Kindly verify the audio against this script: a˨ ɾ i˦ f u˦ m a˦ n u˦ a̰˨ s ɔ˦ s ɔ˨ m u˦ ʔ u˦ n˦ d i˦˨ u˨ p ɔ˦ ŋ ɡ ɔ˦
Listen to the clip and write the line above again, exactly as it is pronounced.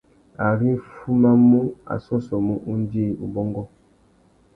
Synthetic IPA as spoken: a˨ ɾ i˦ f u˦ m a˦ m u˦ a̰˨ s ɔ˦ s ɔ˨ m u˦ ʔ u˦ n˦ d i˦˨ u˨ b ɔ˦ ŋ ɡ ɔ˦